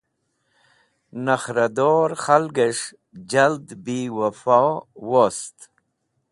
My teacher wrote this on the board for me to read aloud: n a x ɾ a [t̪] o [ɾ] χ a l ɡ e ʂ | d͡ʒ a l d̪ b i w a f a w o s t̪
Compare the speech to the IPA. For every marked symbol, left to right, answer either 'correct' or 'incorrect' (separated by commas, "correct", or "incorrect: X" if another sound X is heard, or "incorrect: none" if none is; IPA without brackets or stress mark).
incorrect: d̪, correct